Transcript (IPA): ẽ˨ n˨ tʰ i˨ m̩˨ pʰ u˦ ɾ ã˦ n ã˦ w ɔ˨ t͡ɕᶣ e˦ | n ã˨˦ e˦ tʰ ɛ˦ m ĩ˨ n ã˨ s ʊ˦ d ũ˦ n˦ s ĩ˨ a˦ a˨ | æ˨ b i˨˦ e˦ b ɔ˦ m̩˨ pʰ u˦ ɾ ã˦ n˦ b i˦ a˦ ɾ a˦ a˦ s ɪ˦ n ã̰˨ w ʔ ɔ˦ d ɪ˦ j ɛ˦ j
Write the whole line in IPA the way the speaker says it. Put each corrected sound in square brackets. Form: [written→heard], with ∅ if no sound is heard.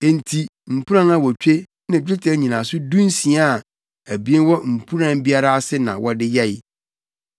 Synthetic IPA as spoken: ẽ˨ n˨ tʰ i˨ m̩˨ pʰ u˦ ɾ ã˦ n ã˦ w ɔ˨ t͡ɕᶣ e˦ | n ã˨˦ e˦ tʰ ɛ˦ [m→ɲ] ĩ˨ n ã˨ s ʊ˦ d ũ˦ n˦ s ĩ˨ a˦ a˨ | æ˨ b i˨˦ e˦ [b→w] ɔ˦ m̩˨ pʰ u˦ ɾ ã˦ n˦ b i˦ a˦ ɾ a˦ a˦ s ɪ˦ n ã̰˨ w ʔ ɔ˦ d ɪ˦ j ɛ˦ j

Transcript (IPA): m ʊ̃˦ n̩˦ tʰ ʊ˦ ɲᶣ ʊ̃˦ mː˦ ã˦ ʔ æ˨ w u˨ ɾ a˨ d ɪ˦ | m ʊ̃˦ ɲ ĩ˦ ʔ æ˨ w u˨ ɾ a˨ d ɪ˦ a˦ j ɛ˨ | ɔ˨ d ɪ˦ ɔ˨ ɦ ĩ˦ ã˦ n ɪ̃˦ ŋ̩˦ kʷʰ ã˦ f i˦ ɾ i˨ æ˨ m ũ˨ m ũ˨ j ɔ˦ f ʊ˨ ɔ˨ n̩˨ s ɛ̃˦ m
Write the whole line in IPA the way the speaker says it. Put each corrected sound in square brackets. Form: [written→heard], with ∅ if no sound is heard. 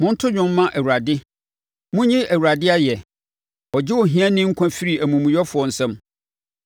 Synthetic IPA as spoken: m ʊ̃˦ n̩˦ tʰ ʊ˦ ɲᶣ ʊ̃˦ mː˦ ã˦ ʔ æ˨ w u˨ ɾ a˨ d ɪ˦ | m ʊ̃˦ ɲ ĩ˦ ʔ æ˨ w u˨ ɾ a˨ d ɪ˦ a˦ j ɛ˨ | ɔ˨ [d→d͡ʑ] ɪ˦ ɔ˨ ɦ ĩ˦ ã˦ n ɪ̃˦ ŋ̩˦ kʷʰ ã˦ f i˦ ɾ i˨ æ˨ m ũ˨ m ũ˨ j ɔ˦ f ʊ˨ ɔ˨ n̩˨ s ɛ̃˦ m

